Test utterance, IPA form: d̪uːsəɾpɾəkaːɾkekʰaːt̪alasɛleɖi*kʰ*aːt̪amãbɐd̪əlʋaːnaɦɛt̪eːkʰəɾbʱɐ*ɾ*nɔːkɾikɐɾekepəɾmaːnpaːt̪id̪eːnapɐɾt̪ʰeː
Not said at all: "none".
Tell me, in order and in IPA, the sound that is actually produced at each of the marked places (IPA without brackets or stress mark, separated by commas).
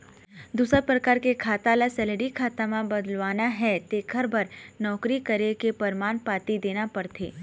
kʰ, ɾ